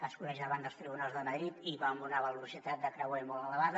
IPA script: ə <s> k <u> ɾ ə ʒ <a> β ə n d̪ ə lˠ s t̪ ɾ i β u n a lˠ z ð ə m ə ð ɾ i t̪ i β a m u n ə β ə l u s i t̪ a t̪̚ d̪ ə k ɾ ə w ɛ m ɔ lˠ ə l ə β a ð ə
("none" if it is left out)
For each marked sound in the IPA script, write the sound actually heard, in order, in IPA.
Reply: s, u, a

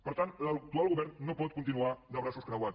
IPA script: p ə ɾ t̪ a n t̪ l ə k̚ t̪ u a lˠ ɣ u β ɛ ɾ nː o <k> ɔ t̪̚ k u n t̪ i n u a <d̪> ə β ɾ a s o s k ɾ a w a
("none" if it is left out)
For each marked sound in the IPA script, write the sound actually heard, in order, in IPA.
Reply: p, d̪

